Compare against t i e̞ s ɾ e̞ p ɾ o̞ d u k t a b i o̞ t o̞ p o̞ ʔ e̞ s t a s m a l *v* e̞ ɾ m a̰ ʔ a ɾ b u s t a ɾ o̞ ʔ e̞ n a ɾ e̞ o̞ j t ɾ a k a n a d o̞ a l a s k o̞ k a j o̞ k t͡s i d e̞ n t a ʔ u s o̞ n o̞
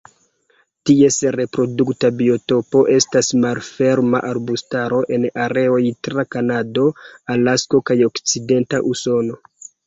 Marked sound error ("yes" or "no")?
yes